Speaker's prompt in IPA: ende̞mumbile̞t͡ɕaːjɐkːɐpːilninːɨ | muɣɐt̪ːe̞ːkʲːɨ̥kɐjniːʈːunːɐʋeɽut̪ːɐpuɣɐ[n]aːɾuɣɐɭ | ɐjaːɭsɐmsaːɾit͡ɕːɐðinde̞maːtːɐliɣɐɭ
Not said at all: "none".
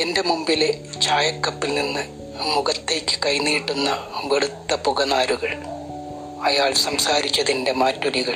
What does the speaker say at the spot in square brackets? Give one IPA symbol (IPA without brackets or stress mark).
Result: n